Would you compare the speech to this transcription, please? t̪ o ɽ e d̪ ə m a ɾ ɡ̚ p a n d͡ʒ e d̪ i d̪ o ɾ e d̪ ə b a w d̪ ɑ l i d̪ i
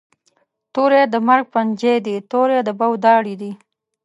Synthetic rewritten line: t̪ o ɾ e d̪ ə m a ɾ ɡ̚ p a n d͡ʒ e d̪ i t̪ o ɾ e d̪ ə b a w d̪ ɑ ɽ i d̪ i